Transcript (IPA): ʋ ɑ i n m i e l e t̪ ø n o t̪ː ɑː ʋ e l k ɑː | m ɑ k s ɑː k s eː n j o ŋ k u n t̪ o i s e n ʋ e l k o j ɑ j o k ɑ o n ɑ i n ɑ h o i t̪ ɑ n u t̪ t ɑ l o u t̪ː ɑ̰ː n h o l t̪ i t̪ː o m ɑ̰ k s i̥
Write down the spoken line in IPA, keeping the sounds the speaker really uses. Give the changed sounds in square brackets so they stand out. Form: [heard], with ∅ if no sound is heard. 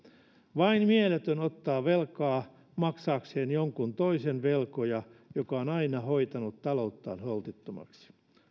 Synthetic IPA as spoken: ʋ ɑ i n m i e l e t̪ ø n o t̪ː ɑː ʋ e l k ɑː | m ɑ k s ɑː k s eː n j o ŋ k u n t̪ o i s e n ʋ e l k o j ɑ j o k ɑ o n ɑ i n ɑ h o i t̪ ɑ n u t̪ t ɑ l o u t̪ː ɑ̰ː n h o l t̪ i t̪ː o m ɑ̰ k s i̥